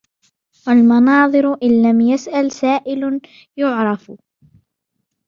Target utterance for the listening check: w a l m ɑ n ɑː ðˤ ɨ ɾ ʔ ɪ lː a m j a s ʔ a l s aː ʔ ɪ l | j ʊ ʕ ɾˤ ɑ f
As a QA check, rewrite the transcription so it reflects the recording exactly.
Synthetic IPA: w a l m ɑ n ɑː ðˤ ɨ ɾ ʔ ɪ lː a m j a s ʔ a l s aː ʔ ɪ l | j ʊ ʕ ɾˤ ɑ f